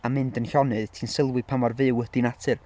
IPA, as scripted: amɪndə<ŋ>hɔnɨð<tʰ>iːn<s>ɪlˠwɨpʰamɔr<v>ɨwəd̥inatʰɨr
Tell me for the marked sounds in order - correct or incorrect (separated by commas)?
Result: incorrect, correct, correct, correct